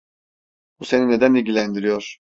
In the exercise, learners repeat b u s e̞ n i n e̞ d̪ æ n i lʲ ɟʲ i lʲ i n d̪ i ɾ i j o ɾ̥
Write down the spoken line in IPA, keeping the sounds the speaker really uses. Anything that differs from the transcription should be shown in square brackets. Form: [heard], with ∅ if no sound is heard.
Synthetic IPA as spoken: b u s e̞ n i n e̞ d̪ æ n i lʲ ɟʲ i lʲ [æ] n d̪ i ɾ i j o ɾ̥